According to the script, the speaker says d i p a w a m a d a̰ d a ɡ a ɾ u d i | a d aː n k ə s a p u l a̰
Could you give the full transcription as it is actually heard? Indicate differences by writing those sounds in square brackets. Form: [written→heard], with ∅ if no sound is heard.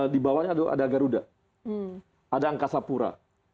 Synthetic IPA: d i [p→b] a w a [m→ɲ] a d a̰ d a ɡ a ɾ u d [i→a] | a d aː [n→ŋ] k [ə→a] s a p u [l→ɾ] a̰

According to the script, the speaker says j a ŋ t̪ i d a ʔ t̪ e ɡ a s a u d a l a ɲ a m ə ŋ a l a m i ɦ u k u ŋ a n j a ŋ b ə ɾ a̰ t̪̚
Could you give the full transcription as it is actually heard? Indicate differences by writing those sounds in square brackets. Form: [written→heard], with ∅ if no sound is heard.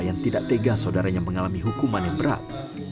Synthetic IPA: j a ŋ t̪ i d a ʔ t̪ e ɡ a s a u d a [l→ɾ] a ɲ a m ə ŋ a l a m i ɦ u k u [ŋ→m] a n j a ŋ b ə ɾ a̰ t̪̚

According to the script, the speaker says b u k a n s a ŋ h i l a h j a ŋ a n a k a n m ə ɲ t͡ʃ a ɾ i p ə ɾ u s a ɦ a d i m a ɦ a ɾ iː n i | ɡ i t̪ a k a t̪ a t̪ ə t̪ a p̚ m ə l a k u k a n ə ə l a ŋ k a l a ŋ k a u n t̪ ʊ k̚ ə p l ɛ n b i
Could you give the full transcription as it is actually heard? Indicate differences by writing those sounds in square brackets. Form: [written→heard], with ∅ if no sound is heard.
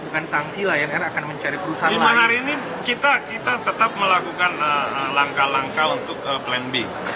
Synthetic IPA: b u k a n s a ŋ [h→s] i l a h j a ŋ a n a k a n m ə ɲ t͡ʃ a ɾ i p ə ɾ u s a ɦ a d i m a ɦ a ɾ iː n i | [ɡ→k] i t̪ a k [a→i] t̪ a t̪ ə t̪ a p̚ m ə l a k u k a n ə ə l a ŋ k a l a ŋ k a u n t̪ ʊ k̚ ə p l ɛ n b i

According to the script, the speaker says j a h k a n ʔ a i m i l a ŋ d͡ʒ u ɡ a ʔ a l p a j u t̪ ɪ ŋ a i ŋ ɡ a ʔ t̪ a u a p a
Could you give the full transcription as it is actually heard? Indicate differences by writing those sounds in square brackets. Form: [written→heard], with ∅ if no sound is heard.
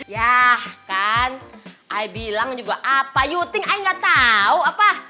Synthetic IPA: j a h k a n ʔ a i [m→b] i l a ŋ d͡ʒ u ɡ a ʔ a [l→∅] p a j u t̪ ɪ ŋ a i ŋ ɡ a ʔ t̪ a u a p a

